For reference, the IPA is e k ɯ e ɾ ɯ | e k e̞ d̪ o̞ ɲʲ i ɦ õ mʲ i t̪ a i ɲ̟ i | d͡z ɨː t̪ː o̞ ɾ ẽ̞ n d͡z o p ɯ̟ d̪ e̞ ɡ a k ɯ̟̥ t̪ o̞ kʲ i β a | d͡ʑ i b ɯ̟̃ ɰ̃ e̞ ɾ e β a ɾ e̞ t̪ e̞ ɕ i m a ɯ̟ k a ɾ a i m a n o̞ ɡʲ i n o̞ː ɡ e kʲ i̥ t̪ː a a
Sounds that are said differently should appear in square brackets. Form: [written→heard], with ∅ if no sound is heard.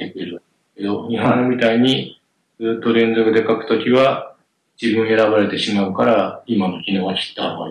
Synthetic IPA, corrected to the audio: e k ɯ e ɾ ɯ | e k e̞ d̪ o̞ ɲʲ i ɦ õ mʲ i t̪ a i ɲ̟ i | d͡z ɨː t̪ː o̞ ɾ ẽ̞ n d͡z o [p→k] ɯ̟ d̪ e̞ [ɡ→k] a k ɯ̟̥ t̪ o̞ kʲ i β a | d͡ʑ i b ɯ̟̃ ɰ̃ e̞ ɾ [e→a] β a ɾ e̞ t̪ e̞ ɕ i m a ɯ̟ k a ɾ a i m a n o̞ [ɡʲ→kʲ] i n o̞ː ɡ [e→a] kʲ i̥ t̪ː a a